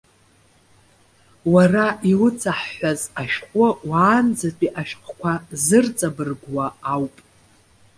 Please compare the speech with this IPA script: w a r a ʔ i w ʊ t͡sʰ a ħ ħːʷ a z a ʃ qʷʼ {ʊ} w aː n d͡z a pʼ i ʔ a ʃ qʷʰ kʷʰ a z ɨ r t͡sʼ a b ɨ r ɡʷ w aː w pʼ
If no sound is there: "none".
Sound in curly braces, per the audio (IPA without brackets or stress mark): ʊ